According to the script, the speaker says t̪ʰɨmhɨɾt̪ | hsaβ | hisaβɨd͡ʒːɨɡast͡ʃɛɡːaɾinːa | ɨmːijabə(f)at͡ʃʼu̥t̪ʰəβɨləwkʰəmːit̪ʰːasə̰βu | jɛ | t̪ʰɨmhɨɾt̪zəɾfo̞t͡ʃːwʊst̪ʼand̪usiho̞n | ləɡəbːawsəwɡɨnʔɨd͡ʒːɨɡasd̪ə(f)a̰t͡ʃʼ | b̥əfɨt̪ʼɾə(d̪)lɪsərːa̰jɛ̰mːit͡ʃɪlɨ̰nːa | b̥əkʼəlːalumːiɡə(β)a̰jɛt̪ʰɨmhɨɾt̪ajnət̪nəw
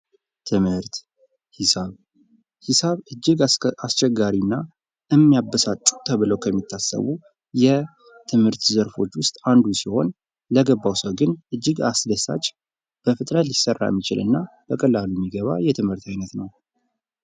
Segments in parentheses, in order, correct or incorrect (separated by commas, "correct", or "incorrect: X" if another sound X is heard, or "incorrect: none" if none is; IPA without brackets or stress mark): incorrect: s, incorrect: s, incorrect: t̪, correct